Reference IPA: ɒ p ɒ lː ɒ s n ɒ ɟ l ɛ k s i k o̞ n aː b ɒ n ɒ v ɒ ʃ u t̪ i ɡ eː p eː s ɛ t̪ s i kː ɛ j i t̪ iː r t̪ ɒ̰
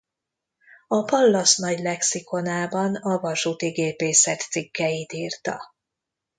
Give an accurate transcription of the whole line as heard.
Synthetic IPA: ɒ p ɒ lː ɒ s n ɒ ɟ l ɛ k s i k o̞ n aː b ɒ n ɒ v ɒ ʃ u t̪ i ɡ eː p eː s ɛ t̪ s i kː ɛ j i t̪ iː r t̪ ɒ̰